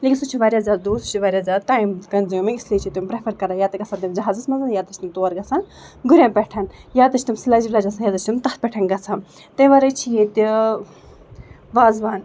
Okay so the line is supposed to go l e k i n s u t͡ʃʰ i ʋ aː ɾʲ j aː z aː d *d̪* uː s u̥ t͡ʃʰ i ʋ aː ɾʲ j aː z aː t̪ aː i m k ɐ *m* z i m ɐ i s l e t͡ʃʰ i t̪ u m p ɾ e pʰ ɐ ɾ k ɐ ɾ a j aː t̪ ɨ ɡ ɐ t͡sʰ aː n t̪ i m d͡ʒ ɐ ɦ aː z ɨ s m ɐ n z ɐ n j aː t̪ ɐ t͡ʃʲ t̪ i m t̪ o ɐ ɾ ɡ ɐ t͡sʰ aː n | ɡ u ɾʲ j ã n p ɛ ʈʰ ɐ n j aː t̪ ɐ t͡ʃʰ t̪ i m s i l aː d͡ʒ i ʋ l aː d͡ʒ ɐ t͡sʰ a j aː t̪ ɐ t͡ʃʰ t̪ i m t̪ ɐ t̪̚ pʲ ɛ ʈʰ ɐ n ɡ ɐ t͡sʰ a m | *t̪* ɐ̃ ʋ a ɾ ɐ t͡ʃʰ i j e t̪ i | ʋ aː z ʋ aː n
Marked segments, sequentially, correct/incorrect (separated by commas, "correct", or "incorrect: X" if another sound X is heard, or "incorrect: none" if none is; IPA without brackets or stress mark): correct, incorrect: n, correct